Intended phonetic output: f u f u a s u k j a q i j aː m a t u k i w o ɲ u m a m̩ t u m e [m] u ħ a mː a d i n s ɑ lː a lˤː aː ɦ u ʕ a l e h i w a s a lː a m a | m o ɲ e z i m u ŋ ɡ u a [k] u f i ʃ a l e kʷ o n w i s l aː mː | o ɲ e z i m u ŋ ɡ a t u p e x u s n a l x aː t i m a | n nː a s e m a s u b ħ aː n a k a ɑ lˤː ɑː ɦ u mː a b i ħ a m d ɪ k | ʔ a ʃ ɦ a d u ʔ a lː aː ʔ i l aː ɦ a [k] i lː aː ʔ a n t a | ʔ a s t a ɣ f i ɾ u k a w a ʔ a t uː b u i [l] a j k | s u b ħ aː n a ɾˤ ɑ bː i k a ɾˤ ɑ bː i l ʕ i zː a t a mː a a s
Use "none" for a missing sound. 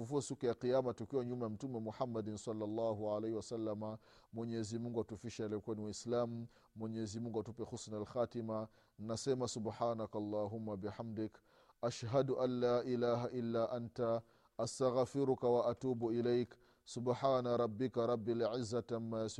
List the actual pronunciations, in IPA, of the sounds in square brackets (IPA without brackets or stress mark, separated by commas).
m, t, ʔ, l